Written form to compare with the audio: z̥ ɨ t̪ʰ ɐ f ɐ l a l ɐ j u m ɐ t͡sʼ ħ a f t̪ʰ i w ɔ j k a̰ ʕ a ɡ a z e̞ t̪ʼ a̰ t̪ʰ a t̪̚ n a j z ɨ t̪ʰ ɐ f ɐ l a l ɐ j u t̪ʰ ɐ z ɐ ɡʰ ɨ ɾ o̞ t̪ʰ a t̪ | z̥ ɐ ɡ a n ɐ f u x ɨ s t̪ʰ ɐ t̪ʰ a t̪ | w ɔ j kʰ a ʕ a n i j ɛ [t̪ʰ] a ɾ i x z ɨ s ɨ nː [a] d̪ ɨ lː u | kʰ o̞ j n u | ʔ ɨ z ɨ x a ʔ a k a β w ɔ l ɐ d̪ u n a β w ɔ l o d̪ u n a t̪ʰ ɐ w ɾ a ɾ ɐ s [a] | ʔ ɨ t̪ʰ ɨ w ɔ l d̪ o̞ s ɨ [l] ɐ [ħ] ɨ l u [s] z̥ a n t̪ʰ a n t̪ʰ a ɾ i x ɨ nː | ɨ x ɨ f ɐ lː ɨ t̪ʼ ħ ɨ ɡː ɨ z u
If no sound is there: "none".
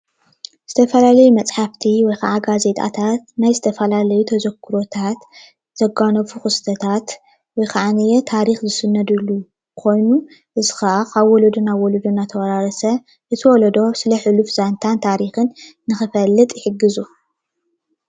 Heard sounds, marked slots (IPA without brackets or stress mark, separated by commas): t̪ʰ, ɐ, ɐ, l, ħ, f